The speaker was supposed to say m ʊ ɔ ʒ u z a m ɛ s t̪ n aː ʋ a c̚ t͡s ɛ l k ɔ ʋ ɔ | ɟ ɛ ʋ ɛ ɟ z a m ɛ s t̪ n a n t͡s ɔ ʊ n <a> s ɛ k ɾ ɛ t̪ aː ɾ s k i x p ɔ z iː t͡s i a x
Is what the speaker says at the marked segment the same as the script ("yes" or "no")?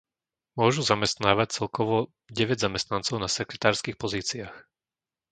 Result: yes